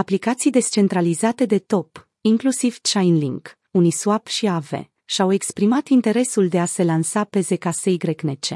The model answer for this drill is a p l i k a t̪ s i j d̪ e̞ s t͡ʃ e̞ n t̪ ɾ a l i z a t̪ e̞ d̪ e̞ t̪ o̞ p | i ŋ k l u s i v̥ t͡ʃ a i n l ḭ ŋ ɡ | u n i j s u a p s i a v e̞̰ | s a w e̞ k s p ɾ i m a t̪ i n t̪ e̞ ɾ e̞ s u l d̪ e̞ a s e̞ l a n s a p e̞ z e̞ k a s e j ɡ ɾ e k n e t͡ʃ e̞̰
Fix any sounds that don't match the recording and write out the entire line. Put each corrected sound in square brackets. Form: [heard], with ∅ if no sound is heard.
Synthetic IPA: a p l i k a t̪ s i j d̪ e̞ s t͡ʃ e̞ n t̪ ɾ a l i z a t̪ e̞ d̪ e̞ t̪ o̞ p | i ŋ k l u s i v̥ t͡ʃ a [j] n l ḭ ŋ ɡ | u n i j s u a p [ʃ] i a v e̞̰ | [ʃ] a w e̞ k s p ɾ i m a t̪ i n t̪ e̞ ɾ e̞ s u l d̪ e̞ a s e̞ l a n s a p e̞ z e̞ k a s e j ɡ ɾ e k n e t͡ʃ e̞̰